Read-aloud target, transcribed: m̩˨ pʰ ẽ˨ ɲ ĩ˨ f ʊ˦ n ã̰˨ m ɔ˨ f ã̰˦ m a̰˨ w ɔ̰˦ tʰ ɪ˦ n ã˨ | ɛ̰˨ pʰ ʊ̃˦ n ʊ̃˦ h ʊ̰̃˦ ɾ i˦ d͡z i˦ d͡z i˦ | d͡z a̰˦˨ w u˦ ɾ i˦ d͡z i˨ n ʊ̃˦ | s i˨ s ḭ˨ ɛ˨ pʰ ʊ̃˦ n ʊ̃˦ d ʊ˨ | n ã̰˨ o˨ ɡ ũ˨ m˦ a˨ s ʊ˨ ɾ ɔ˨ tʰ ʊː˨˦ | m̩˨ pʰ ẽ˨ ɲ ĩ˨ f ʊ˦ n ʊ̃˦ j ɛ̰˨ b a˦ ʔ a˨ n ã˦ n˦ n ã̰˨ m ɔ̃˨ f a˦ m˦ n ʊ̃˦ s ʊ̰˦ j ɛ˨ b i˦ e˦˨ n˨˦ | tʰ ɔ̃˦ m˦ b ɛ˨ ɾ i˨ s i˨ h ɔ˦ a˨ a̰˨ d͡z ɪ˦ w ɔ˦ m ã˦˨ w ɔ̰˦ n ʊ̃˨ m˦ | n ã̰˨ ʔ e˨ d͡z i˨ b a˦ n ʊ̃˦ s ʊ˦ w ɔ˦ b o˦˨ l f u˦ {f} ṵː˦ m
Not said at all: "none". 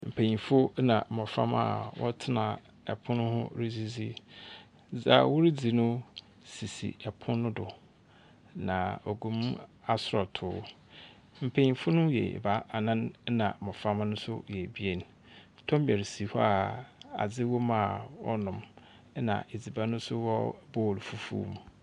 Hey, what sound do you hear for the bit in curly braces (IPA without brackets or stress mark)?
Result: f